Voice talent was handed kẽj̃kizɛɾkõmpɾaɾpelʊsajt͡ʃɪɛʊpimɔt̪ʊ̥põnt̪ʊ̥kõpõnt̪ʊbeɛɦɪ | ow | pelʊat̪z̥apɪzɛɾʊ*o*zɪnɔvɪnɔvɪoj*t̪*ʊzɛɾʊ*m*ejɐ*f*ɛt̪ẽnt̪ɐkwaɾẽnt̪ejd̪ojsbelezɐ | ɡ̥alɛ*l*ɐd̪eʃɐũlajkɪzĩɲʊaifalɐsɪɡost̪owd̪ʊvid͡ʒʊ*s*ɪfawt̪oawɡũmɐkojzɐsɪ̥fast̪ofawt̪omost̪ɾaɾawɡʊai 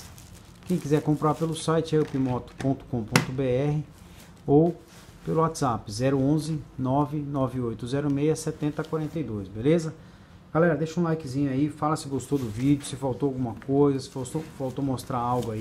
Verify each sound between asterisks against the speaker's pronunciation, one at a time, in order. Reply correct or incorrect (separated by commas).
incorrect, correct, correct, incorrect, incorrect, correct